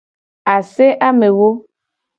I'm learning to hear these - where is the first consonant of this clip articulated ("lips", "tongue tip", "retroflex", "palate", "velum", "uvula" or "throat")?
tongue tip